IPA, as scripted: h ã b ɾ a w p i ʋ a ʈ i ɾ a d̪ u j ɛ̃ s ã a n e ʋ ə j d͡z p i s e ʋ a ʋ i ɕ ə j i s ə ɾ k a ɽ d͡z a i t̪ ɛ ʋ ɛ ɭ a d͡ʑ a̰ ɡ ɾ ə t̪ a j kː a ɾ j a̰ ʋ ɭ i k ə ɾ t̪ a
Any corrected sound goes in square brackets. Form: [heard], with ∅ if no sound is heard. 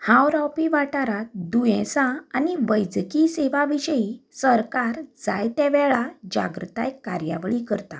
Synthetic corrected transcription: h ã [w] ɾ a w p i ʋ a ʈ [a] ɾ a d̪ u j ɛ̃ s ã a n [i] ʋ ə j d͡z [k] i s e ʋ a ʋ i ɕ ə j i s ə ɾ k a [ɾ] d͡z a [j] t̪ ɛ ʋ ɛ ɭ a d͡ʑ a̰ ɡ ɾ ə t̪ a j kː a ɾ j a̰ ʋ ɭ i k ə ɾ t̪ a